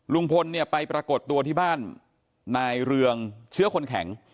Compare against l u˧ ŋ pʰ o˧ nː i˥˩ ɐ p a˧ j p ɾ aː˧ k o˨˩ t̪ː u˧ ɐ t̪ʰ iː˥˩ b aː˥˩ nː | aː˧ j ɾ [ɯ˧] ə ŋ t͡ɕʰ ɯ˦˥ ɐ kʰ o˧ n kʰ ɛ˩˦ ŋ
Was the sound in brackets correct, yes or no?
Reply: yes